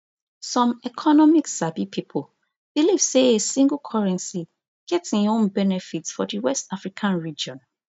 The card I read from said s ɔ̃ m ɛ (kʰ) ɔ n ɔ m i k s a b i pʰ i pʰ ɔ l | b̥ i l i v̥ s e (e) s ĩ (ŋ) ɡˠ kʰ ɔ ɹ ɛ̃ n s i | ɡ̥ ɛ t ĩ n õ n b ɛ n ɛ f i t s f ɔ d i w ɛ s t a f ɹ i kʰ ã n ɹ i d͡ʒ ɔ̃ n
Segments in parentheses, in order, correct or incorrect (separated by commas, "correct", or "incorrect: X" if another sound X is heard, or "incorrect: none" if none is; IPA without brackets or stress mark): correct, correct, correct